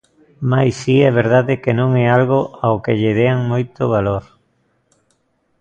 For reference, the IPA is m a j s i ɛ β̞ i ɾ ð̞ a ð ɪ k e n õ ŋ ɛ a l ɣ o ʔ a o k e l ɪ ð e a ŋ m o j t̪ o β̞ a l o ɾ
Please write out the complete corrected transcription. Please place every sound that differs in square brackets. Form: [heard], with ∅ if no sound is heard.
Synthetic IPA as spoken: m a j s i ɛ β̞ [e] ɾ ð̞ a ð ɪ k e n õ ŋ ɛ a l ɣ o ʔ a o k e [ʎ] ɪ ð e a ŋ m o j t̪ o β̞ a l o ɾ